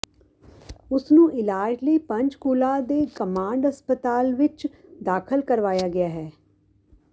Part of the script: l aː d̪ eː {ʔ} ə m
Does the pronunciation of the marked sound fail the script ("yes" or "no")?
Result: yes